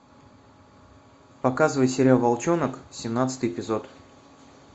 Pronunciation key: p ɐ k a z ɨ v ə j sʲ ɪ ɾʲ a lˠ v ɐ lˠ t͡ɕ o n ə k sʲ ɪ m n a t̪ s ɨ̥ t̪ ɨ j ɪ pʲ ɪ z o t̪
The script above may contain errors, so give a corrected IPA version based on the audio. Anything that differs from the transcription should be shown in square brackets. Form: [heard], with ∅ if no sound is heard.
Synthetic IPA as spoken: p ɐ k a z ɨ v ə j sʲ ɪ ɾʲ a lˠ v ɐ lˠ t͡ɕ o n ə k sʲ ɪ m n a t̪ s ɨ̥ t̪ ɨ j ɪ pʲ ɪ z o t̪

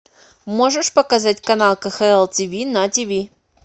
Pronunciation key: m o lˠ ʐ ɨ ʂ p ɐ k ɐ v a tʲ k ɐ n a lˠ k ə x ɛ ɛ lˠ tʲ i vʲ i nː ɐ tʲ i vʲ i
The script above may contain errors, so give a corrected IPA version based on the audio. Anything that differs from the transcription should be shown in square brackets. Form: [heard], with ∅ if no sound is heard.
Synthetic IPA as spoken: m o [∅] ʐ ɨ ʂ p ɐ k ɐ [z] a tʲ k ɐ n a lˠ k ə x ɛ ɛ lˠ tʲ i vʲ i [n] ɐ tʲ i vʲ i

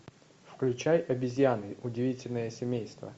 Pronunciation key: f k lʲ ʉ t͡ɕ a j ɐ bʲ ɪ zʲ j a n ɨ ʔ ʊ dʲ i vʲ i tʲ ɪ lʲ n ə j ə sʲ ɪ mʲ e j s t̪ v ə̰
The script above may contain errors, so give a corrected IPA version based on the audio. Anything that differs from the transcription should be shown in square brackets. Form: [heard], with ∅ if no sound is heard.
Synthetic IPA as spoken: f k lʲ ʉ t͡ɕ a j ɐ bʲ ɪ zʲ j a n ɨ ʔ ʊ dʲ [ɪ] vʲ i tʲ ɪ lʲ n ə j ə sʲ ɪ mʲ e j s t̪ v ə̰

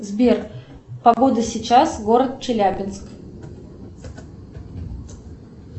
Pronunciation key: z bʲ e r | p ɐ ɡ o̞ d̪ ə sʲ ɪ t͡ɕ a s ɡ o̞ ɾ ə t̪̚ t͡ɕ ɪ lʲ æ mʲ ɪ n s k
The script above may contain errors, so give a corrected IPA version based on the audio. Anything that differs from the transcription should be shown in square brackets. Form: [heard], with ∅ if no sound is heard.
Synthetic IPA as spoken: z bʲ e r | p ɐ ɡ o̞ d̪ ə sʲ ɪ t͡ɕ a s ɡ o̞ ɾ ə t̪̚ t͡ɕ ɪ lʲ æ [bʲ] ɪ n s k

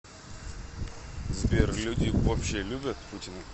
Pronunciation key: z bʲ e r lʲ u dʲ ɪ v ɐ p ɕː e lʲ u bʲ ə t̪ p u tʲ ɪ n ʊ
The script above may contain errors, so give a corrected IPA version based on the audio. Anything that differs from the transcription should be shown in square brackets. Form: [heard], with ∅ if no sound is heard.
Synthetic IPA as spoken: z bʲ e r lʲ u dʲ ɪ v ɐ p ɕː e lʲ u bʲ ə t̪ p u tʲ ɪ n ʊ

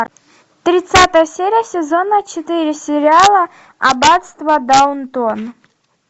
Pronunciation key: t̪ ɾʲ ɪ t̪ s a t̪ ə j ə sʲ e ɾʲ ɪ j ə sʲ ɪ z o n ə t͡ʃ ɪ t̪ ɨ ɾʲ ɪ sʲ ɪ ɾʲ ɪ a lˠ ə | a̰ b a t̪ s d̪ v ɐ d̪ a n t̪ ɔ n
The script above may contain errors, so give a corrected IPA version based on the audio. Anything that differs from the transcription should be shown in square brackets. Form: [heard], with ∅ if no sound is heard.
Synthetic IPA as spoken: t̪ ɾʲ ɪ t̪ s a t̪ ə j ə sʲ e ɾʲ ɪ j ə sʲ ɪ z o n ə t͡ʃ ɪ t̪ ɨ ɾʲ ɪ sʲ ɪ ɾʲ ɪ a lˠ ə | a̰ b a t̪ s [t̪] v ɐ d̪ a n t̪ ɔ n

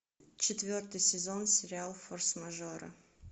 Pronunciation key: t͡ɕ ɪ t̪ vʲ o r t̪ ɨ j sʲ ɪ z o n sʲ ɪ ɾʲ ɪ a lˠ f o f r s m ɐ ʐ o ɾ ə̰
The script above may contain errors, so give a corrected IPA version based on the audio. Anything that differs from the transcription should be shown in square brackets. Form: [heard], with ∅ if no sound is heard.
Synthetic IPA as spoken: t͡ɕ ɪ t̪ vʲ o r t̪ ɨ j sʲ ɪ z o n sʲ ɪ ɾʲ ɪ a lˠ f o [∅] r s m ɐ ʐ o ɾ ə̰

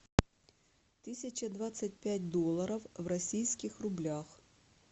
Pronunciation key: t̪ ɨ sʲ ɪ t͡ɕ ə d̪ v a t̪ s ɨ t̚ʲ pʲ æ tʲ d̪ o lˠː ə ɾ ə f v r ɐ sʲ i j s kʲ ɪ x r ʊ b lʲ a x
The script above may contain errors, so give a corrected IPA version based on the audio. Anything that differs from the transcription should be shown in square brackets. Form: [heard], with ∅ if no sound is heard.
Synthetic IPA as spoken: t̪ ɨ sʲ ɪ t͡ɕ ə d̪ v a t̪ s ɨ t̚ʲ pʲ æ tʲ d̪ o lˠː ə ɾ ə f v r ɐ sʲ i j s kʲ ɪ x r ʊ b lʲ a x

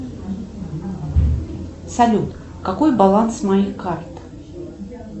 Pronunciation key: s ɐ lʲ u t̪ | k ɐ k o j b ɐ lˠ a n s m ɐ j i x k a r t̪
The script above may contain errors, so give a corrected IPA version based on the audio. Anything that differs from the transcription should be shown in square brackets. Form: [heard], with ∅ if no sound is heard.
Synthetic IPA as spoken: s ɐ lʲ u t̪ | k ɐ k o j b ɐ lˠ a n s m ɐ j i x k a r t̪

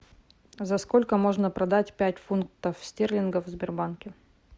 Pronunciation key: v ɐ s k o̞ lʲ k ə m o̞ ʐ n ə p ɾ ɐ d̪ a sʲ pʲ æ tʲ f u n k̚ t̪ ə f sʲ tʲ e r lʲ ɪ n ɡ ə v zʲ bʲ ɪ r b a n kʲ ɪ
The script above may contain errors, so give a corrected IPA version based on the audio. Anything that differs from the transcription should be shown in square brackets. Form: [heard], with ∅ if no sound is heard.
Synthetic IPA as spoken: [z] ɐ s k o̞ lʲ k ə m o̞ ʐ n ə p ɾ ɐ d̪ a [tʲ] pʲ æ tʲ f u n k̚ t̪ ə f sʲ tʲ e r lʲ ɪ n ɡ ə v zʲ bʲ ɪ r b a n kʲ ɪ

